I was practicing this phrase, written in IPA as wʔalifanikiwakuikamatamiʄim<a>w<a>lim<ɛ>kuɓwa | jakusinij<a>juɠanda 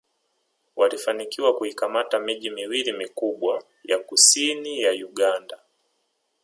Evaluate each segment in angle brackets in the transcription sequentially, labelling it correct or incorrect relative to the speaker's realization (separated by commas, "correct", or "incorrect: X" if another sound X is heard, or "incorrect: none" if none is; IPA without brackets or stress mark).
incorrect: i, incorrect: i, incorrect: i, correct